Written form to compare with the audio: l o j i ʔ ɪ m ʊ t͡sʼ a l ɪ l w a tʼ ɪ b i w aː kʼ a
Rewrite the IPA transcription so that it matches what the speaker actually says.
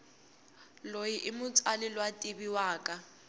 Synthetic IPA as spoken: l o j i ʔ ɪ m ʊ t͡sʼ a l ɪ l w a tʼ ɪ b i w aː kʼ a